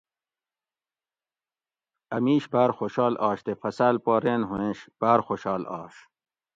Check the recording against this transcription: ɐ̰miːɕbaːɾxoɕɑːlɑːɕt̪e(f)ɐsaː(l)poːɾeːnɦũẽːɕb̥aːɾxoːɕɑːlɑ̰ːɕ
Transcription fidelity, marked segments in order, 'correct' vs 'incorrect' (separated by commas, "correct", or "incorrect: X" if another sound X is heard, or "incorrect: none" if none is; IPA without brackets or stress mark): correct, correct